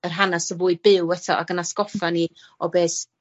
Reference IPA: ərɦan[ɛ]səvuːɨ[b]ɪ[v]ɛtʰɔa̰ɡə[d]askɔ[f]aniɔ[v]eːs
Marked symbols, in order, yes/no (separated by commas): no, yes, no, no, yes, no